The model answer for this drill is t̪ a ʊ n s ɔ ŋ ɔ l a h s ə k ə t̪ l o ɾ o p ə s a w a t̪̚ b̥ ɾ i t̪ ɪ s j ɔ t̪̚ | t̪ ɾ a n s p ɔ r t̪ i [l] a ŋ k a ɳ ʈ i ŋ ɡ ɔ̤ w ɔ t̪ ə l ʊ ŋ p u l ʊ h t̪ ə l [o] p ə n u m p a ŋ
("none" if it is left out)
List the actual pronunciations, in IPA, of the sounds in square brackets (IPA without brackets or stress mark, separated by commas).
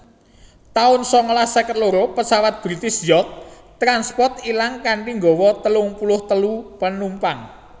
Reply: l, u